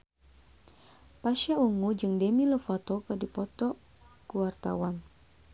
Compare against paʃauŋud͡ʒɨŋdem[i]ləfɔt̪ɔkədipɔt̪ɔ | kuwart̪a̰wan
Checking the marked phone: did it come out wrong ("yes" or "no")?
no